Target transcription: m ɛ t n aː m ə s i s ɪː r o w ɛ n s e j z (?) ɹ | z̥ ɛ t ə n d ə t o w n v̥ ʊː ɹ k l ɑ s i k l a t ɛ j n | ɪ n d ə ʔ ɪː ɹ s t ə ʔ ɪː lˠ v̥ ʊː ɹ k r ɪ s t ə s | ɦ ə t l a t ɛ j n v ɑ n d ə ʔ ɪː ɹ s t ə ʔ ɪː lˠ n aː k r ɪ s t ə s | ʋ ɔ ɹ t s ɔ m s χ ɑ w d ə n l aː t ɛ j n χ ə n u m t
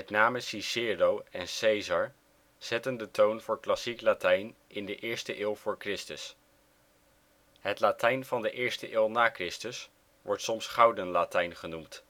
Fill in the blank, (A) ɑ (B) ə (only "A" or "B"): A